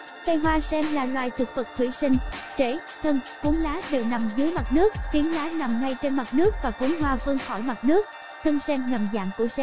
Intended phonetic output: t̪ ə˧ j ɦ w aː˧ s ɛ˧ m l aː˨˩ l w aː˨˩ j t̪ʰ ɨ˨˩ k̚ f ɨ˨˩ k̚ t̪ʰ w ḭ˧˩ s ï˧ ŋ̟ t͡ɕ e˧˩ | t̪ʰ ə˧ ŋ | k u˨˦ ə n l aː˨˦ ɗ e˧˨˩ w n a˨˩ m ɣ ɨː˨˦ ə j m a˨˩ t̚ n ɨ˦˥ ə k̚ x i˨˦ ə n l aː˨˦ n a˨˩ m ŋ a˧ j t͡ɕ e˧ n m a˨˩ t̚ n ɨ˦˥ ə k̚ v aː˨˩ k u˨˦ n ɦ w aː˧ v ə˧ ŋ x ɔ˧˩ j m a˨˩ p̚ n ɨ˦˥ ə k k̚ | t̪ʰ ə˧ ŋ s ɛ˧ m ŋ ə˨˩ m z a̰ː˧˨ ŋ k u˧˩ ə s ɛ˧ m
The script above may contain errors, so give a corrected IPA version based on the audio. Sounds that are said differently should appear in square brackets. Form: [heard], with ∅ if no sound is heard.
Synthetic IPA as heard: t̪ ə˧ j ɦ w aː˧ s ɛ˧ m l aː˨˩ l w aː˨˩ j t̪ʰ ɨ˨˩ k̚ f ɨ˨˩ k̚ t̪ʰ w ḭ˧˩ s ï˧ ŋ̟ t͡ɕ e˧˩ | t̪ʰ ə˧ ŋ | k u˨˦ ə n l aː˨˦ ɗ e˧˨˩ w n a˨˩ m [z] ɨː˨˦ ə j m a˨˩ t̚ n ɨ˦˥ ə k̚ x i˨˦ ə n l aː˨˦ n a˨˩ m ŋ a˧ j t͡ɕ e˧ n m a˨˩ t̚ n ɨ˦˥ ə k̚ v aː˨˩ k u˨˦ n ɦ w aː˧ v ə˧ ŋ x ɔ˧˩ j m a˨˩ [t̚] n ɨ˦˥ ə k k̚ | t̪ʰ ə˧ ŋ s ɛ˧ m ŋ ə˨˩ m z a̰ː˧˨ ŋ k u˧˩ ə s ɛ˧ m

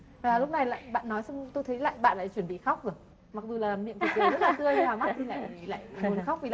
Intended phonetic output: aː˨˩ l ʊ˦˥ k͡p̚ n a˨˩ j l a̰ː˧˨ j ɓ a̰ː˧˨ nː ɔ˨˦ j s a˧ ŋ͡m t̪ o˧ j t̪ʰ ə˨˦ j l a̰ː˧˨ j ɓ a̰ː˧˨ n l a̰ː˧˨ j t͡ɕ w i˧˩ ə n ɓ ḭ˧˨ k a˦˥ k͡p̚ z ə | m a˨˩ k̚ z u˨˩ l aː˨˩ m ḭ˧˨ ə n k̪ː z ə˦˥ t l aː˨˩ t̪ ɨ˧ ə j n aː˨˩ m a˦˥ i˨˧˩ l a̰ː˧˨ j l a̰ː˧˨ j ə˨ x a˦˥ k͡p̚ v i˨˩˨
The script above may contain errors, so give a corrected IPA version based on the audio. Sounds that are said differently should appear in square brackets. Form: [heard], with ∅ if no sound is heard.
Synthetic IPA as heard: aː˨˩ l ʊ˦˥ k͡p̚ n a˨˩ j l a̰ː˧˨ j ɓ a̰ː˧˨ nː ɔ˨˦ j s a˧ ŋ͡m t̪ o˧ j t̪ʰ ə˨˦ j l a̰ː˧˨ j ɓ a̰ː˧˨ n l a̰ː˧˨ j t͡ɕ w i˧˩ ə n ɓ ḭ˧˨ [x] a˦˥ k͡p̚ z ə | m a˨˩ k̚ z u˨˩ l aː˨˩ m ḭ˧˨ ə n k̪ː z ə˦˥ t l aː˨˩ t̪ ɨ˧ ə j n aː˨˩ m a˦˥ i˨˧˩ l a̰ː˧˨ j l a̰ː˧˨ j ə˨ x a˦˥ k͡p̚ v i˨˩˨

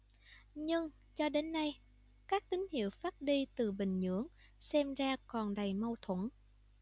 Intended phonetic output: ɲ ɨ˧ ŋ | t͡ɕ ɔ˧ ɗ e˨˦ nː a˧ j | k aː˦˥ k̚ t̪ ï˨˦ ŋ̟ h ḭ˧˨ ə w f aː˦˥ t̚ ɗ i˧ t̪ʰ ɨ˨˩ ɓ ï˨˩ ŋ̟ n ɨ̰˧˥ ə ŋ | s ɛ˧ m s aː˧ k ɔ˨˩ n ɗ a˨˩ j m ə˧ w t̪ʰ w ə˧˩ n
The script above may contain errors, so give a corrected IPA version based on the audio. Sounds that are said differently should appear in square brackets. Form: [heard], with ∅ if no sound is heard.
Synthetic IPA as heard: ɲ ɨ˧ ŋ | t͡ɕ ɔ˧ ɗ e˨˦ nː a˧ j | k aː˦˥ k̚ t̪ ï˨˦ ŋ̟ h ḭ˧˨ ə w f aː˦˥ t̚ ɗ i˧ [t̪] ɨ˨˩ ɓ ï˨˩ ŋ̟ [ɲ] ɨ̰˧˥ ə ŋ | s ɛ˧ m [z] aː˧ k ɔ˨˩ n ɗ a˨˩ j m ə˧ w t̪ʰ w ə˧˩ n

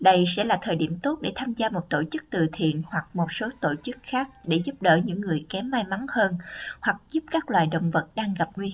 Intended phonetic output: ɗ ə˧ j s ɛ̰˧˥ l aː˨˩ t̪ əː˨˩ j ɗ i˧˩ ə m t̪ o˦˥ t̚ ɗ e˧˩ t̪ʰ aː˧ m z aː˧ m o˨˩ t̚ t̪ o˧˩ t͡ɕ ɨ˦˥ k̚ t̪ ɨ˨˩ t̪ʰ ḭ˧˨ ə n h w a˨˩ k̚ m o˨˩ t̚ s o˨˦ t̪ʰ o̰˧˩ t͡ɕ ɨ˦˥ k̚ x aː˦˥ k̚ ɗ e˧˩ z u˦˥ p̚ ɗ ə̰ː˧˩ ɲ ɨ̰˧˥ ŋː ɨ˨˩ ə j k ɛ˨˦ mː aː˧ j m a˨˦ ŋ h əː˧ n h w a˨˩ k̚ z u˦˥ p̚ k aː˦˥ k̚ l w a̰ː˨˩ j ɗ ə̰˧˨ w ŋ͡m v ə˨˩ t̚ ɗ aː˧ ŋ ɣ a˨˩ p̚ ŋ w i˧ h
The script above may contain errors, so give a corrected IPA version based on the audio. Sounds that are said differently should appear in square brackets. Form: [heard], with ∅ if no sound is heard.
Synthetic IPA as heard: ɗ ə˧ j s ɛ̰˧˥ l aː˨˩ [t̪ʰ] əː˨˩ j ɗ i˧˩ ə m t̪ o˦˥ t̚ ɗ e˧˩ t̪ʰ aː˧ m z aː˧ m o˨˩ t̚ t̪ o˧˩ t͡ɕ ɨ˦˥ k̚ t̪ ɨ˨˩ t̪ʰ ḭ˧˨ ə n h w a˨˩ k̚ m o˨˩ t̚ s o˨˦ [t̪] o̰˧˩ t͡ɕ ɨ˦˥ k̚ x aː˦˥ k̚ ɗ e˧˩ z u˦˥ p̚ ɗ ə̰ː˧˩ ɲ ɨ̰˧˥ ŋː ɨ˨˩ ə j k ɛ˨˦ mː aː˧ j m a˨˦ ŋ h əː˧ n h w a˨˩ k̚ z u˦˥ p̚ k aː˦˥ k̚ l w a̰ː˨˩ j ɗ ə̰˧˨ w ŋ͡m v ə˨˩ t̚ ɗ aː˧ ŋ ɣ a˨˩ p̚ ŋ w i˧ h

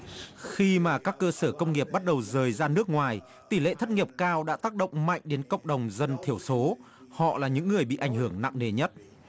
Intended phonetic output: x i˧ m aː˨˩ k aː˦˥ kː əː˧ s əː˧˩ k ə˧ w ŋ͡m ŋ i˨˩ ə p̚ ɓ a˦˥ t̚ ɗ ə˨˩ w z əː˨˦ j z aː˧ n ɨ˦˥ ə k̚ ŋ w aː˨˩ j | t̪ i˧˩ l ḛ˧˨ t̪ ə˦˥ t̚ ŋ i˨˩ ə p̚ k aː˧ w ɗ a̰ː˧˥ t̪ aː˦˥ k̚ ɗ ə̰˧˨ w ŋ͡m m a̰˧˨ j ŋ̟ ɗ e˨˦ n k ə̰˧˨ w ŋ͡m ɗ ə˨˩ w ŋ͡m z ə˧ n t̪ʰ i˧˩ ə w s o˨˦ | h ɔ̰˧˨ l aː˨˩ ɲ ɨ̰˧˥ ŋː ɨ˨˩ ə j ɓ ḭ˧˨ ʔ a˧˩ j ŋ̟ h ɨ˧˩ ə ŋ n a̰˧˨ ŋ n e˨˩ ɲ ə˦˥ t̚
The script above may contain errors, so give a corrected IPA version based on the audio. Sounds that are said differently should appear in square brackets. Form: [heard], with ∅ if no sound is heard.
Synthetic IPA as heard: x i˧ m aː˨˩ k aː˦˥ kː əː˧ s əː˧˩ k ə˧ w ŋ͡m ŋ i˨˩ ə p̚ ɓ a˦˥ t̚ ɗ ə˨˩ w z [əː˨˩] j z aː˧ n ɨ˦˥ ə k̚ ŋ w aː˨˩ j | t̪ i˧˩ l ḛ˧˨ [t̪ʰ] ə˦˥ t̚ ŋ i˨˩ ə p̚ k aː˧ w ɗ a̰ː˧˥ t̪ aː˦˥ k̚ ɗ ə̰˧˨ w ŋ͡m m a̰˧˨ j ŋ̟ ɗ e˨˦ n k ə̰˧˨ w ŋ͡m ɗ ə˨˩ w ŋ͡m z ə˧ n t̪ʰ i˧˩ ə w s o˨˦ | h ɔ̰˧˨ l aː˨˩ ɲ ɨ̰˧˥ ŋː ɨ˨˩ ə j ɓ ḭ˧˨ ʔ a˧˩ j ŋ̟ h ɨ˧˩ ə ŋ n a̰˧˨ ŋ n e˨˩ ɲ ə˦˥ t̚

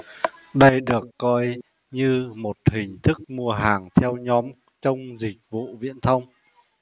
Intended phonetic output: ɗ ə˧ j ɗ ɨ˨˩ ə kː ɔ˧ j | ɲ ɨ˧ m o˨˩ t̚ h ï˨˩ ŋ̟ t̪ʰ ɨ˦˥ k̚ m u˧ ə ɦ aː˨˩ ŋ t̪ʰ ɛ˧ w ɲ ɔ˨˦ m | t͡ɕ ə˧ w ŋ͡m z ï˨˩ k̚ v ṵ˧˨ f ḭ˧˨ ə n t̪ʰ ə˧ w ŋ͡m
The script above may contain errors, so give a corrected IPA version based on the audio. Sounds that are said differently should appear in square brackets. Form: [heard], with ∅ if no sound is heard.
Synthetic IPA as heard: ɗ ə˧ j ɗ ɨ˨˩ ə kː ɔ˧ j | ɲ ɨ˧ m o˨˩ t̚ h ï˨˩ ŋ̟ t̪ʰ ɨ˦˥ k̚ m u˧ ə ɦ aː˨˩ ŋ t̪ʰ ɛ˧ w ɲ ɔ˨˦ m | t͡ɕ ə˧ w ŋ͡m z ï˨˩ k̚ v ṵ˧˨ [v] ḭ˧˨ ə n t̪ʰ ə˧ w ŋ͡m

